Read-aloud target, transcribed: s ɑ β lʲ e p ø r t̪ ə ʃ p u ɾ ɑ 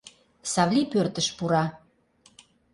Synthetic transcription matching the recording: s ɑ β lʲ i p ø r t̪ ə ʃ p u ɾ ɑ